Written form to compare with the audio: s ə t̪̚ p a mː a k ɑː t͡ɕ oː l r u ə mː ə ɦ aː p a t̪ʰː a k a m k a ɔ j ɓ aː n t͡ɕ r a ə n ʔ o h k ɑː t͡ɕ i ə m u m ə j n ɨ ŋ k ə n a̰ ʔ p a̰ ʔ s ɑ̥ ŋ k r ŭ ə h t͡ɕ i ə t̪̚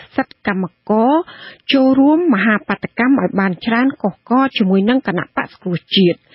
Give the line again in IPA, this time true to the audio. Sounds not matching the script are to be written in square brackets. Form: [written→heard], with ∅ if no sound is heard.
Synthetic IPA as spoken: s ə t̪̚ [p→k] a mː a k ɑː t͡ɕ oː l r u ə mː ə ɦ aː p a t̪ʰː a k a m [k→ʔ] a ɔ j ɓ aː n t͡ɕ r a ə n [ʔ→k] o h k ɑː t͡ɕ i ə m u [m→∅] ə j n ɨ ŋ k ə n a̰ ʔ p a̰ ʔ s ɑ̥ ŋ k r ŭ ə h t͡ɕ i ə t̪̚